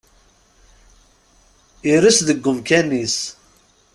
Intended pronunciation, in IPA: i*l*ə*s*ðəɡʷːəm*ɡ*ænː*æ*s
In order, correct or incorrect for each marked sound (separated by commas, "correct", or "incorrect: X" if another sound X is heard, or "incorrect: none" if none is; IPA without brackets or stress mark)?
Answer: incorrect: ɾ, correct, incorrect: k, incorrect: i